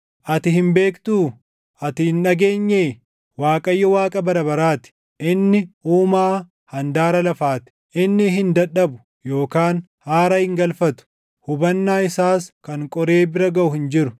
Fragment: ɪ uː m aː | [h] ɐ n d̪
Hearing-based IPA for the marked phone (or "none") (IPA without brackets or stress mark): h